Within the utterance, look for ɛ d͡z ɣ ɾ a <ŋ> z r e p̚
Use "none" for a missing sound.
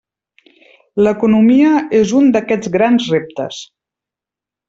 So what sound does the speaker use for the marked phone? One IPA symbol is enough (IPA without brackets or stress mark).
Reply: n